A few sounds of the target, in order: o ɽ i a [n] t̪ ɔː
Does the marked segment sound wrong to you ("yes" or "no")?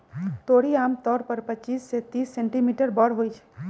yes